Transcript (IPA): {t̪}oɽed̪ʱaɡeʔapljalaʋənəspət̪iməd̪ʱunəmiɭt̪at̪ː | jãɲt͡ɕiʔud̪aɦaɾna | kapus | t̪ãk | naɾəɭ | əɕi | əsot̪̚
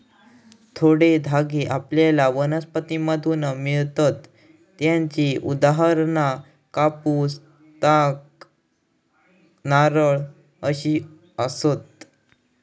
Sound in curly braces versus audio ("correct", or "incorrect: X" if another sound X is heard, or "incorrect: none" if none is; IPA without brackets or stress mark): incorrect: t̪ʰ